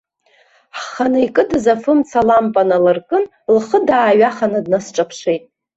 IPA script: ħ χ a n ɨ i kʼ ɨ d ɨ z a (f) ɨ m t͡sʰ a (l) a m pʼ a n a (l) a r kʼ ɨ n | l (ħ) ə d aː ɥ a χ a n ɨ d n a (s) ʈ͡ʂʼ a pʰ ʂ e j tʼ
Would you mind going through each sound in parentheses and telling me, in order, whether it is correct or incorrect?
correct, correct, correct, incorrect, correct

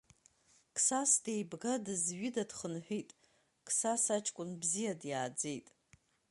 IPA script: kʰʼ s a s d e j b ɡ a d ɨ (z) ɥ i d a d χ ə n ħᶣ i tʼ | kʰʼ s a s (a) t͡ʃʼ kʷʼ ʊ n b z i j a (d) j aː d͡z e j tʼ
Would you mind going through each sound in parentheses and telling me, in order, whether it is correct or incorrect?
correct, correct, correct

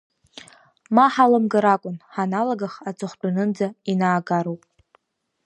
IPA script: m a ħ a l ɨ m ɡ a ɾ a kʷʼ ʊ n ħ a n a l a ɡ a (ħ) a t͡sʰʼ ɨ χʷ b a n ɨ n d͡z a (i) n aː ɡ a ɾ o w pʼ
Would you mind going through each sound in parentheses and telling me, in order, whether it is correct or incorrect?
incorrect, correct

